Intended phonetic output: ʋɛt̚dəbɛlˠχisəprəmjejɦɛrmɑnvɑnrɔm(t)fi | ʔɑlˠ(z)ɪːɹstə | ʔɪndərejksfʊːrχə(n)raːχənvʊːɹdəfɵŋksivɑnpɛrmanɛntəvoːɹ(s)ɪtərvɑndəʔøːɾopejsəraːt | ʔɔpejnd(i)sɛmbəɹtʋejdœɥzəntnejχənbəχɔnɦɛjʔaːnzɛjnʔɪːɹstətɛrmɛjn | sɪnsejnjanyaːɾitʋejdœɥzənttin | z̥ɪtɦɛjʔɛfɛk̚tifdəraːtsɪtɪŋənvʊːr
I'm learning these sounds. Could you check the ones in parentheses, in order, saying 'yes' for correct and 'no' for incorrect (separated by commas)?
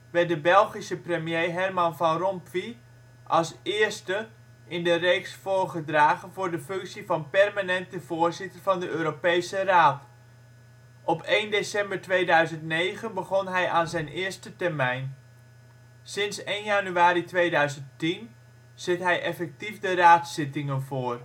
no, no, no, no, no